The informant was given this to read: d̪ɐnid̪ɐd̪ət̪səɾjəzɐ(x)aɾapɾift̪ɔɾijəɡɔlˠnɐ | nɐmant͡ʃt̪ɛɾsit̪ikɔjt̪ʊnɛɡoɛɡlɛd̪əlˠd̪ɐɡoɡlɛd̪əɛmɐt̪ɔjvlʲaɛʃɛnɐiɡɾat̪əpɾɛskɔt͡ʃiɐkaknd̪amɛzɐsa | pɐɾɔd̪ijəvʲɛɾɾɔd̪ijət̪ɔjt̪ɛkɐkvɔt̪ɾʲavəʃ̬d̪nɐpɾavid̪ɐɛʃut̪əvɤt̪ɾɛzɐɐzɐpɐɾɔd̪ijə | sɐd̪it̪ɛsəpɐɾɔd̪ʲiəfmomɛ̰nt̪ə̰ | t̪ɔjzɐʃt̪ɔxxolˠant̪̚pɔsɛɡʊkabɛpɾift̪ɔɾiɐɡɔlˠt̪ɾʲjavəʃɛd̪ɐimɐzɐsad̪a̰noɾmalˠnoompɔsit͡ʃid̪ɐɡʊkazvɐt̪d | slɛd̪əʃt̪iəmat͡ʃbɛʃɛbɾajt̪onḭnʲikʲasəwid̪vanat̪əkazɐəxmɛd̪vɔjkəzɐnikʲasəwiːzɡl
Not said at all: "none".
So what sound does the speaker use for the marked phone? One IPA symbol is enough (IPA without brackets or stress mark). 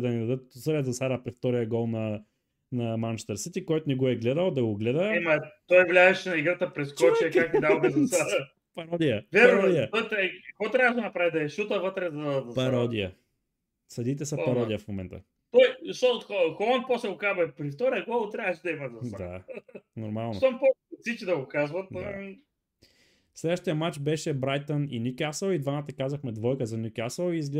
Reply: s